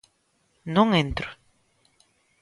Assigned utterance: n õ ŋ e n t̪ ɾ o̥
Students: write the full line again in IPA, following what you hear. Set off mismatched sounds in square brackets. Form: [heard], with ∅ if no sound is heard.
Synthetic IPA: n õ ŋ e n t̪ ɾ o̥